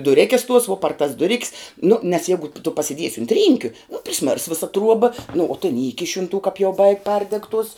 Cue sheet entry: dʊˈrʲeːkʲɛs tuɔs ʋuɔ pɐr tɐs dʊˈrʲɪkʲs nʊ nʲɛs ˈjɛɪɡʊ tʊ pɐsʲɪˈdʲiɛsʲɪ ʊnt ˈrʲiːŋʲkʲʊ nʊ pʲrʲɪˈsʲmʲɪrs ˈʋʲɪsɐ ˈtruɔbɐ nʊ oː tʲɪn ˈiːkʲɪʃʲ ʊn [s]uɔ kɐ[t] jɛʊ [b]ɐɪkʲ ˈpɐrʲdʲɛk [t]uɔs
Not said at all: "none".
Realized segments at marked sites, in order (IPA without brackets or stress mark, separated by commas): t, p, b, t